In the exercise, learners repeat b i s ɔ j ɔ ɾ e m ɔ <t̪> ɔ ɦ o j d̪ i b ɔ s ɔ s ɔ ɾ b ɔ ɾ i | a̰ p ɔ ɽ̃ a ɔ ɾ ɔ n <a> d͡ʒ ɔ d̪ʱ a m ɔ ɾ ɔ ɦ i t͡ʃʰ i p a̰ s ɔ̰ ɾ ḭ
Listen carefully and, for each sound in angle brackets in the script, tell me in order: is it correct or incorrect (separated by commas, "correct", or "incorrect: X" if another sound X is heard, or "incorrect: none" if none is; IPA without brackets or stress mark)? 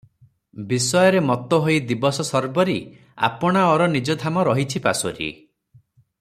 correct, incorrect: i